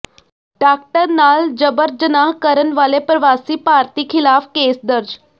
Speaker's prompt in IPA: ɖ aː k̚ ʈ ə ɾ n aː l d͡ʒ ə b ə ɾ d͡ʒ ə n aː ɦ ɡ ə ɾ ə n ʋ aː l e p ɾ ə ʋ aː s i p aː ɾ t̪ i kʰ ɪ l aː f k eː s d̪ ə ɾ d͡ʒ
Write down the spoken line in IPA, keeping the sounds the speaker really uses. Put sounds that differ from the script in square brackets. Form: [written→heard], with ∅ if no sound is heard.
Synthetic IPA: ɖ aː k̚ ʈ ə ɾ n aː l d͡ʒ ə b ə ɾ d͡ʒ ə n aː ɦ [ɡ→k] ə ɾ ə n ʋ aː l e p ɾ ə ʋ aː s i p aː ɾ t̪ i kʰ ɪ l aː f k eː s d̪ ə ɾ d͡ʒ